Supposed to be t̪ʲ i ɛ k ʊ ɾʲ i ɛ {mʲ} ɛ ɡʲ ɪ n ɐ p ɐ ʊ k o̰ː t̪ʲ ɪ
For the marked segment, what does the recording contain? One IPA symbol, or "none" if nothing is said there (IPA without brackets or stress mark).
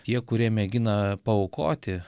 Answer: mʲ